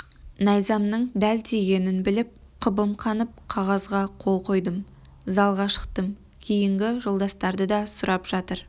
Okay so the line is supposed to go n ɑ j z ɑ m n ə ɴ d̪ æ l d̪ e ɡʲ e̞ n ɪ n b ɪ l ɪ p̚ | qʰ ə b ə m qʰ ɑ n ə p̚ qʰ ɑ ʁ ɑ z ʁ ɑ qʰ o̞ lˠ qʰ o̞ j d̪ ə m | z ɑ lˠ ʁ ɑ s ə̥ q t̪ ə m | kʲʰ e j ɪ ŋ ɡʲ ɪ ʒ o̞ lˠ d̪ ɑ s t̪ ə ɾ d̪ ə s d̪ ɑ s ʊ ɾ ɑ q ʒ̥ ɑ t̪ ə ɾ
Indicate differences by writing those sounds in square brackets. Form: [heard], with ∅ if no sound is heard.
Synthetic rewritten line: n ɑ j z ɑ m n ə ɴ d̪ æ l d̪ e ɡʲ e̞ n ɪ n b ɪ l ɪ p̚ | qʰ ə b ə m qʰ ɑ n ə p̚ qʰ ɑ ʁ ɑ z ʁ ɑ qʰ o̞ lˠ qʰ o̞ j d̪ ə m | z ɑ lˠ ʁ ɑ [ʃ] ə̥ q t̪ ə m | kʲʰ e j ɪ ŋ ɡʲ ɪ ʒ o̞ lˠ d̪ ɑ s t̪ [ɑ] ɾ d̪ ə [∅] d̪ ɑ s ʊ ɾ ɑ [p] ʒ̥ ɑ t̪ ə ɾ